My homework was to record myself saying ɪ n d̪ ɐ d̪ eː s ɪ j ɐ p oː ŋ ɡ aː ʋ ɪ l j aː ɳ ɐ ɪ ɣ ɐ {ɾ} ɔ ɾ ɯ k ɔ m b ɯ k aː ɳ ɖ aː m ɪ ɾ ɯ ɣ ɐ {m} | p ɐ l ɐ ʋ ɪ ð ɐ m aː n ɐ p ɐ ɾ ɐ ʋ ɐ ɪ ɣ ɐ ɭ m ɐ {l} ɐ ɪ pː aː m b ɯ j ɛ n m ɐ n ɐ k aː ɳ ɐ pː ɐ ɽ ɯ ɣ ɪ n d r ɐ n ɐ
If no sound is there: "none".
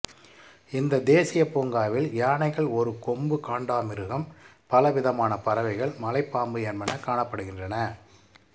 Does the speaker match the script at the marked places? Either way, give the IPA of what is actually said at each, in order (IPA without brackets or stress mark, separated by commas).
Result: ɭ, m, l